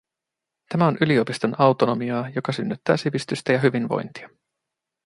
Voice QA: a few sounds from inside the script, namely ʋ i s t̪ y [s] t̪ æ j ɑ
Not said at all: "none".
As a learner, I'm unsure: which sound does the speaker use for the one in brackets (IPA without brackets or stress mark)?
s